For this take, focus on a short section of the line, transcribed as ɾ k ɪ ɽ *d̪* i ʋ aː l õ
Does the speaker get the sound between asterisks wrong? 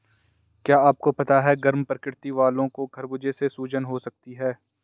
yes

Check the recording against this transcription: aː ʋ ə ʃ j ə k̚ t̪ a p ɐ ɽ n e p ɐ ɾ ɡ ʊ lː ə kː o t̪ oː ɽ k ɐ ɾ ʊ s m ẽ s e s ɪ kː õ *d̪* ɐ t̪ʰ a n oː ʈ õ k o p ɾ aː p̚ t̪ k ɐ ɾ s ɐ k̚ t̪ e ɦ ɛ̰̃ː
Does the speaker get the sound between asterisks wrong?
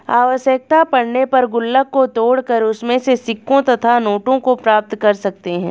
yes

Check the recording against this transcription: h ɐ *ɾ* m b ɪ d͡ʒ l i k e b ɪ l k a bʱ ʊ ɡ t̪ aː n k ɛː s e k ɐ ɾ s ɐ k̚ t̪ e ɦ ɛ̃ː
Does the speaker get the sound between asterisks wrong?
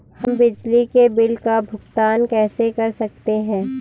yes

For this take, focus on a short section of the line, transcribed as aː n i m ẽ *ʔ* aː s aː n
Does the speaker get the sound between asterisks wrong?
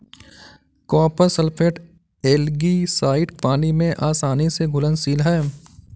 no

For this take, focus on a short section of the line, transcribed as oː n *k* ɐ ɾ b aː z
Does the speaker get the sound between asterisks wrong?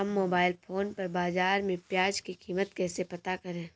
yes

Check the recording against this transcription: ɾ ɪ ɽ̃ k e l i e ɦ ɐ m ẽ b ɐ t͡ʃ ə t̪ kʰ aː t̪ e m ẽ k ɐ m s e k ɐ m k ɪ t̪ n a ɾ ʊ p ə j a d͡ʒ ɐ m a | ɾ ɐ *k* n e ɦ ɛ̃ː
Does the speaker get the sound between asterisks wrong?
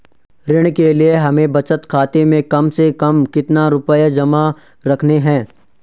yes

